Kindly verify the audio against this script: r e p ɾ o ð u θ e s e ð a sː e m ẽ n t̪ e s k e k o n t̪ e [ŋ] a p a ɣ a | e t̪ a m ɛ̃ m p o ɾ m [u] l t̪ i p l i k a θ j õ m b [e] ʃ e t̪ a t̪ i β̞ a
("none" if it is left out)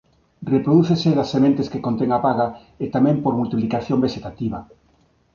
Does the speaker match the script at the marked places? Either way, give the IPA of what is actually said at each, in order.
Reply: ŋ, u, e

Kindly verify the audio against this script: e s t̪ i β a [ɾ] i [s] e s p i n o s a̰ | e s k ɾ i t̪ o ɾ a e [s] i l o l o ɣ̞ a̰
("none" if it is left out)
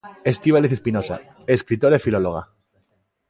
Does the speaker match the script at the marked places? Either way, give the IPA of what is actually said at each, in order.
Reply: l, θ, f

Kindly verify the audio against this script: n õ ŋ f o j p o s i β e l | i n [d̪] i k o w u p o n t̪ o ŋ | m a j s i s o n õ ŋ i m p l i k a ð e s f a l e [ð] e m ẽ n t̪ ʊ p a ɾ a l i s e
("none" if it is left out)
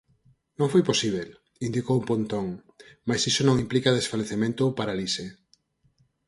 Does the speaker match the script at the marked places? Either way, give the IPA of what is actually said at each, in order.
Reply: d̪, θ

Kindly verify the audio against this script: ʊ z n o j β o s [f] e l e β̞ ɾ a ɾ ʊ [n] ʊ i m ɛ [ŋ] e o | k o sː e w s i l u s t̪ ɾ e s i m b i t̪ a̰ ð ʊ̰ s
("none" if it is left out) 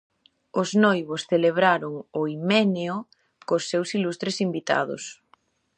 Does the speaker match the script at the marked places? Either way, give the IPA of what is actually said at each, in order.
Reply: θ, ŋ, n

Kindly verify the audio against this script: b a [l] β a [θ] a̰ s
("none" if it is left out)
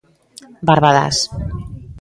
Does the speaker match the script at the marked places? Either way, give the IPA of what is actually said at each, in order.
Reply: ɾ, ð

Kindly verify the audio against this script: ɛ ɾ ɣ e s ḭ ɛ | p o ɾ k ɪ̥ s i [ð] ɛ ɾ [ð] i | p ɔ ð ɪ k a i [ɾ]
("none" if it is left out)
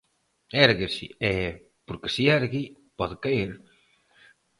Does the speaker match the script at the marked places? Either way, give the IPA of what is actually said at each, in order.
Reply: none, ɣ, ɾ

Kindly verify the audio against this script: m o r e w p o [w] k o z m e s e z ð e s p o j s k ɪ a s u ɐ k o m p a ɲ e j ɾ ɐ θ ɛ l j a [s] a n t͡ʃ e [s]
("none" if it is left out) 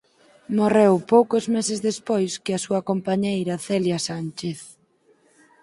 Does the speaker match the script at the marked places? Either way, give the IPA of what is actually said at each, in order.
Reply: w, s, θ

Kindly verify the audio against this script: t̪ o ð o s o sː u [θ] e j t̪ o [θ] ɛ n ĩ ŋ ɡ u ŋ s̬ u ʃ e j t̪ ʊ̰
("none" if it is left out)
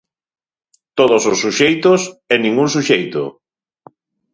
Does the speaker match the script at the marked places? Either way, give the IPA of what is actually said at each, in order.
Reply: ʃ, s

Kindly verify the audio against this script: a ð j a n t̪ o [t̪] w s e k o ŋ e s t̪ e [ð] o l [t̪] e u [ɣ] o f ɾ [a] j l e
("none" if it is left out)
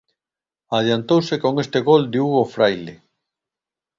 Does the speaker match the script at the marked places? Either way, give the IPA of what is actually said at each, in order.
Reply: none, ɣ, d̪, ɣ, a

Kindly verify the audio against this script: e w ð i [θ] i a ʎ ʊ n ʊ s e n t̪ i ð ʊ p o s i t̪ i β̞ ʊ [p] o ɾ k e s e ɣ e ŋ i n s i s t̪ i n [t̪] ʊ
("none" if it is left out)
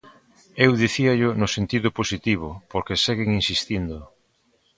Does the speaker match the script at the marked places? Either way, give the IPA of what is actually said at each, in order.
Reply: θ, p, d̪

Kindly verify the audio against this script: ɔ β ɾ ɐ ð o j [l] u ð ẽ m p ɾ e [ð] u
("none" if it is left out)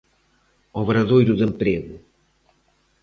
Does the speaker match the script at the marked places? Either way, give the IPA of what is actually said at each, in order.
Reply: ɾ, ɣ

